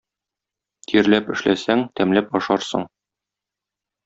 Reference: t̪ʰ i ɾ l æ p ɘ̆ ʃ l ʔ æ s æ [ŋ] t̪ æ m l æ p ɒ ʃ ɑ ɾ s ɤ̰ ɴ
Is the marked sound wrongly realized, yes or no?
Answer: no